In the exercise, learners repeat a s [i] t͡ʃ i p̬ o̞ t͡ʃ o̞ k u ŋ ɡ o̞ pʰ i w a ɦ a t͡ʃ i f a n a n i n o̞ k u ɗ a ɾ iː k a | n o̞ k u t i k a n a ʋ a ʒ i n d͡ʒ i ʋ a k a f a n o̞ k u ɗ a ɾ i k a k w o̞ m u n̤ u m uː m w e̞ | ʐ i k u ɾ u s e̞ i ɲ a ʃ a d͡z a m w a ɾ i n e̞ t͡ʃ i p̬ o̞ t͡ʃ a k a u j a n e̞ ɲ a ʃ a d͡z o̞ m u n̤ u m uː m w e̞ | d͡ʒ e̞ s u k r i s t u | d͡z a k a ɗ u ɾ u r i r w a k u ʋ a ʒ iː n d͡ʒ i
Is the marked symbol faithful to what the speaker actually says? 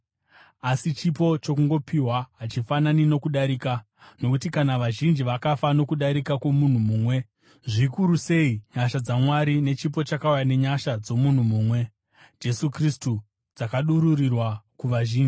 yes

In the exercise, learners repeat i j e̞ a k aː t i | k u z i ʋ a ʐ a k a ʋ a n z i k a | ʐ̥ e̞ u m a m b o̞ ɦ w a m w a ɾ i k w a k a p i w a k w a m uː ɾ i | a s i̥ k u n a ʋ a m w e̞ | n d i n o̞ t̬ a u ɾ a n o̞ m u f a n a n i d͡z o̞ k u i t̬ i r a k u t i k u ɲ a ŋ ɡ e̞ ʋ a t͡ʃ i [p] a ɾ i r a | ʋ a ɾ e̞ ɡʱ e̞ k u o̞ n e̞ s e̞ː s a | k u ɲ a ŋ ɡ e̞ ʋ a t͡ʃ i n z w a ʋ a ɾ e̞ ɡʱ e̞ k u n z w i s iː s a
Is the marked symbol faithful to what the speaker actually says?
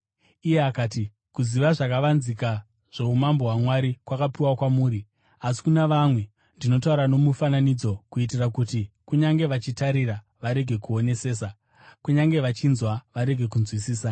no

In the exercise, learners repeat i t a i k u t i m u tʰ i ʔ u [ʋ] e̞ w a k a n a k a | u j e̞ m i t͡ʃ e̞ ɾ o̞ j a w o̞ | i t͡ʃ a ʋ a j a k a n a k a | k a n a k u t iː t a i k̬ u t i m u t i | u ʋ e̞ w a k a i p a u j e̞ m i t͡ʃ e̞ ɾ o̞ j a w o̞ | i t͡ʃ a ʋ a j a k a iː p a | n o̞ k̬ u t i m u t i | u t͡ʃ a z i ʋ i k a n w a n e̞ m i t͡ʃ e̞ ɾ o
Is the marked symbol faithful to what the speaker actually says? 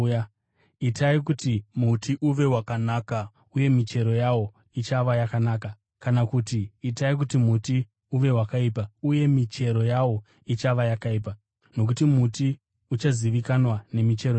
yes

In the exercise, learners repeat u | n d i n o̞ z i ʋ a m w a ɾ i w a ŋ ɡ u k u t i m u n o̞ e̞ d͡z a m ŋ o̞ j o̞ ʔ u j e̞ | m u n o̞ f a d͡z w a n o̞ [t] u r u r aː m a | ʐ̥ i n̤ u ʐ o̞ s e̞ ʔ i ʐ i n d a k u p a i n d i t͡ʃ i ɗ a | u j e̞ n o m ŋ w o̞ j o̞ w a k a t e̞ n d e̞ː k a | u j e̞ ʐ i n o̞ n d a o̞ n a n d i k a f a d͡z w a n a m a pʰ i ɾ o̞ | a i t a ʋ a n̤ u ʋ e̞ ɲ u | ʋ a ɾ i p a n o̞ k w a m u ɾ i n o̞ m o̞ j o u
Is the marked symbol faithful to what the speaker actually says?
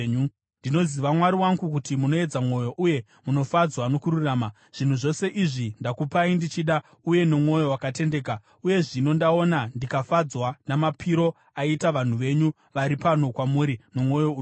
no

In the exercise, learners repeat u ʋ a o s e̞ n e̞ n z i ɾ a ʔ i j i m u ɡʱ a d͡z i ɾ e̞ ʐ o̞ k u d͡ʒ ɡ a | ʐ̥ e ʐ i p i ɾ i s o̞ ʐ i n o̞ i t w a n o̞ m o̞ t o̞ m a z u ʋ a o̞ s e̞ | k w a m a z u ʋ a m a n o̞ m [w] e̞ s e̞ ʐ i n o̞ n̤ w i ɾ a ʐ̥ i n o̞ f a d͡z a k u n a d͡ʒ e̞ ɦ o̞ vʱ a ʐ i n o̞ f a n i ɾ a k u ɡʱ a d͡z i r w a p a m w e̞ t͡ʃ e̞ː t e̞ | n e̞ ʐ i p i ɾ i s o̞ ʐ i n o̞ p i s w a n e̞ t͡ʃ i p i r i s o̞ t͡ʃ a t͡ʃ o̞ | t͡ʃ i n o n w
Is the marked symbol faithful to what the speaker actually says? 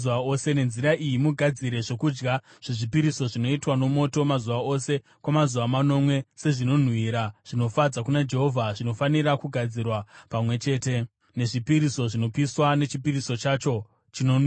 yes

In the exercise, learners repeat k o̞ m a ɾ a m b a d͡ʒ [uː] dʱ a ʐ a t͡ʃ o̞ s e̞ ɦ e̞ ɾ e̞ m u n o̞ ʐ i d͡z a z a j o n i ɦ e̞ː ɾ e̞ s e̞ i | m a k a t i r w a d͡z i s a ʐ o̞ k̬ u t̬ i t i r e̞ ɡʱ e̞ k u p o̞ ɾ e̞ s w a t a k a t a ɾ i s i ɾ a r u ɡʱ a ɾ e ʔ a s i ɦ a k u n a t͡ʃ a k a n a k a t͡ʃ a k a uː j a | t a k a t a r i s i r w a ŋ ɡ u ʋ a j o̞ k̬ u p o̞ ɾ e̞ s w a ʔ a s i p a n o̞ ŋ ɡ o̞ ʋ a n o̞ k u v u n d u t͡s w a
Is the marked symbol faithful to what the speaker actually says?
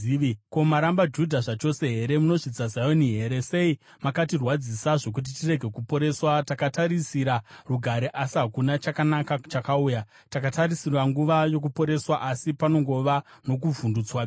no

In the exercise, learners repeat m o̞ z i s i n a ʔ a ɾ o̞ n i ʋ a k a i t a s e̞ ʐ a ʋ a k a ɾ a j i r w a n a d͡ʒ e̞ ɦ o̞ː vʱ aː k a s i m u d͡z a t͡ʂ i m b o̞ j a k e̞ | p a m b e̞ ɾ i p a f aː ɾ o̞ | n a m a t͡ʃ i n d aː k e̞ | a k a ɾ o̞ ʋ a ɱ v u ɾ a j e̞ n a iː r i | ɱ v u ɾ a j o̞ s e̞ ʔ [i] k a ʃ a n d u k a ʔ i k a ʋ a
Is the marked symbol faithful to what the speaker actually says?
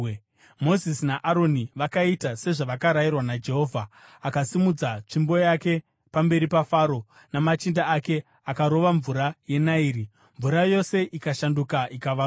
yes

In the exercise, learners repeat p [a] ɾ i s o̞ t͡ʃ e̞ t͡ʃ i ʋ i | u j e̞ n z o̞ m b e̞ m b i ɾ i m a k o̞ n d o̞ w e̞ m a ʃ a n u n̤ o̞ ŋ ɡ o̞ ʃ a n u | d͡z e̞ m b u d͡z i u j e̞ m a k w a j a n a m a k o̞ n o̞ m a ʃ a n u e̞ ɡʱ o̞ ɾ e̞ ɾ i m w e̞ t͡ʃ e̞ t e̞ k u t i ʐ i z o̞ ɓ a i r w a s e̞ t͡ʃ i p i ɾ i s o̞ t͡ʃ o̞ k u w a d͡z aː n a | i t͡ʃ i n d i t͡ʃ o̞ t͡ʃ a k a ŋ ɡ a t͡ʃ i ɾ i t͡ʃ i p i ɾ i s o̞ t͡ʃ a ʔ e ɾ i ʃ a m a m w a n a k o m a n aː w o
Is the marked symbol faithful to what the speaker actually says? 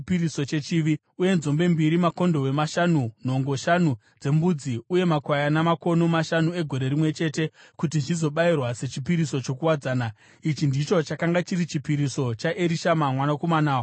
no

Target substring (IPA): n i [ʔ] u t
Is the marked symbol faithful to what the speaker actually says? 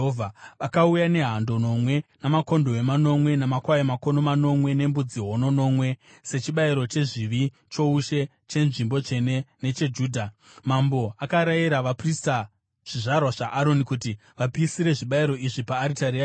no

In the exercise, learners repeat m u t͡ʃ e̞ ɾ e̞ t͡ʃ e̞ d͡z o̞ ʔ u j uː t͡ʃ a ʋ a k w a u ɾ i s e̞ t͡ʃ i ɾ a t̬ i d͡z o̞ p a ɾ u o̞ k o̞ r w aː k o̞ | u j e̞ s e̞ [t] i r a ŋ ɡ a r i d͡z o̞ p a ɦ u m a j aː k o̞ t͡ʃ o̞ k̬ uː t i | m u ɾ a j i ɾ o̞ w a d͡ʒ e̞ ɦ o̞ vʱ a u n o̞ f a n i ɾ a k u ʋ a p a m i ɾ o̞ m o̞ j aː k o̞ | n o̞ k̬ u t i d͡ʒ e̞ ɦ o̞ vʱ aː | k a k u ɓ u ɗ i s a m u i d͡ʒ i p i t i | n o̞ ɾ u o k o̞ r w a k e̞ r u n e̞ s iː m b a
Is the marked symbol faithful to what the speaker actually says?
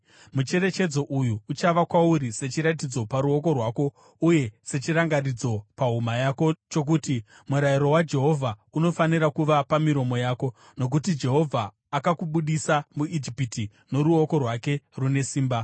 no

